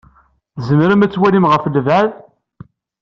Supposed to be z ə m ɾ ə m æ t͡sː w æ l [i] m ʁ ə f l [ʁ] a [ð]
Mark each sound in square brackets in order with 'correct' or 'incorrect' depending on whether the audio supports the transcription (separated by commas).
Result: correct, incorrect, correct